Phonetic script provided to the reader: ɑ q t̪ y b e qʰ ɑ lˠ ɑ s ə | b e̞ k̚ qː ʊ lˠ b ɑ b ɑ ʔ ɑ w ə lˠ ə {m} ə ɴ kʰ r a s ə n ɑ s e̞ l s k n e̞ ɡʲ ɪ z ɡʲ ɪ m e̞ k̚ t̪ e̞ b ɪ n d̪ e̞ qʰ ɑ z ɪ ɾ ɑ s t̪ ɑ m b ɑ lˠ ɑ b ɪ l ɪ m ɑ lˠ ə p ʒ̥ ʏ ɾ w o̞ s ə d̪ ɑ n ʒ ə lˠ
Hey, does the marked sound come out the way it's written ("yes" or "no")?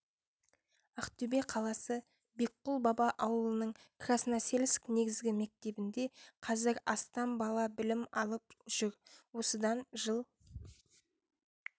no